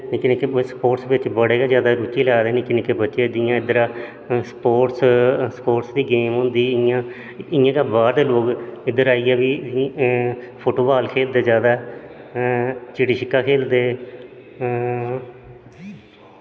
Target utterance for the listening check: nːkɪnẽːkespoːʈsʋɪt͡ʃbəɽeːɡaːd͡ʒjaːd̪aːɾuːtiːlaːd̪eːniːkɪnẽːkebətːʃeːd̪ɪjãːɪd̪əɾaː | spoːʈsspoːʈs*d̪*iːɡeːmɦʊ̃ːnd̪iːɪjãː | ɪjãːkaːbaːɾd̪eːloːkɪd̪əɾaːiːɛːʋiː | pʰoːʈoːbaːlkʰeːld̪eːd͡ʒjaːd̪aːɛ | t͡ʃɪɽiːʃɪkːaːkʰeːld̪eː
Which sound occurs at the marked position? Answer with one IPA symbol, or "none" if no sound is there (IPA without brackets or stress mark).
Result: d̪